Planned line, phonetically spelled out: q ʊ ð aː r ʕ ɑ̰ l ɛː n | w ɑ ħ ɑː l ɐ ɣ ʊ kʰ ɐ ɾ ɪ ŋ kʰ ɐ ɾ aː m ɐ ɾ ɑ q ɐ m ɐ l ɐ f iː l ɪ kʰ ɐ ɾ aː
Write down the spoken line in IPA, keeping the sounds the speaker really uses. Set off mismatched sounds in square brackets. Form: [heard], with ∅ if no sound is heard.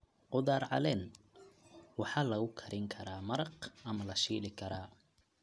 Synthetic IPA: q ʊ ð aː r ʕ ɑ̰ l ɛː n | w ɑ ħ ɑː l ɐ ɣ ʊ kʰ ɐ ɾ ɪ ŋ kʰ ɐ ɾ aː m ɐ ɾ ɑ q ɐ m ɐ l ɐ [ʃ] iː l ɪ kʰ ɐ ɾ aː